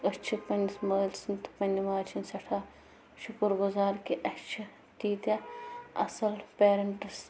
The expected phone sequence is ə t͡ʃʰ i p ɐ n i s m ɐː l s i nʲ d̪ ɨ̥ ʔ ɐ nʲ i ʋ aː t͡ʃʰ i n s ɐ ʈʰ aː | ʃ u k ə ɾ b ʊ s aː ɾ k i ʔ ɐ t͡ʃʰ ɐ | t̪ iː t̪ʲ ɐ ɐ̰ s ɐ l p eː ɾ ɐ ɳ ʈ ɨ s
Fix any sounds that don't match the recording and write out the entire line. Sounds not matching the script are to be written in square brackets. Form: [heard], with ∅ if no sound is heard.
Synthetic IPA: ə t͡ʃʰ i p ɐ n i s m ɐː l s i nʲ [t̪] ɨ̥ [p] ɐ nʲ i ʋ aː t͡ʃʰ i n s ɐ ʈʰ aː | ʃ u k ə ɾ [ɡ] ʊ [z] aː ɾ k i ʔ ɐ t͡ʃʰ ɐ | t̪ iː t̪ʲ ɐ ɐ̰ s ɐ l p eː ɾ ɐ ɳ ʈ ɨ s